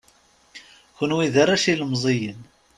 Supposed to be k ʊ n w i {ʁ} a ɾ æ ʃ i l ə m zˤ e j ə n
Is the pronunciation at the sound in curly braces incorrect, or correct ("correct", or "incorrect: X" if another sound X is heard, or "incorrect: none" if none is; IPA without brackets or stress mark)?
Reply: incorrect: ð